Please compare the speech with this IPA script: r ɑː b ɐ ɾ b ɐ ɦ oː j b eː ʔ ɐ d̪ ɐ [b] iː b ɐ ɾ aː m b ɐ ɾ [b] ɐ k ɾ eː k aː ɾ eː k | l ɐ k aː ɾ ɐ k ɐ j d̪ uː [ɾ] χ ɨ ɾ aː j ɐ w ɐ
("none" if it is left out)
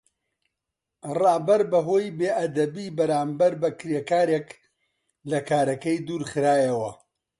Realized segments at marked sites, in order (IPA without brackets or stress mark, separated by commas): b, b, ɾ